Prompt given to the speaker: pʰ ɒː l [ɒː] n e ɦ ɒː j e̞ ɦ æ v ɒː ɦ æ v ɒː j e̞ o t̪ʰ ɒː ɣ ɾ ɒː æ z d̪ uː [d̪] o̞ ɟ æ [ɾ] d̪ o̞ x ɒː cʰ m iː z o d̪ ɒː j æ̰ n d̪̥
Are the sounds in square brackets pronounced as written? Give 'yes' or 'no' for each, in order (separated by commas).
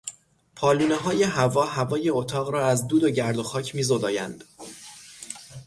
no, yes, yes